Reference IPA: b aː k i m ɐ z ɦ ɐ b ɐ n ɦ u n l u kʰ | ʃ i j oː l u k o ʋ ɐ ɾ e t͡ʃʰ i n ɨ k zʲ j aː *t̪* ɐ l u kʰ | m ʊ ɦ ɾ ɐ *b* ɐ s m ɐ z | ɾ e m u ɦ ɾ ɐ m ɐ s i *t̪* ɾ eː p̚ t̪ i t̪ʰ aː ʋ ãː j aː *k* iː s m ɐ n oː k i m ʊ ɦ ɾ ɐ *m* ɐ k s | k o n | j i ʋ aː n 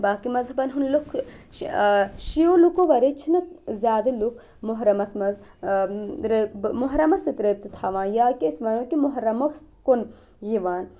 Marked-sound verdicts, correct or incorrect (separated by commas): incorrect, incorrect, correct, correct, correct